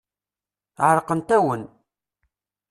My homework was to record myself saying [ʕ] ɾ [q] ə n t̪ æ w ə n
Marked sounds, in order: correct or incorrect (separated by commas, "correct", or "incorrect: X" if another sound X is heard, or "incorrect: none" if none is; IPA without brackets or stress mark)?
correct, correct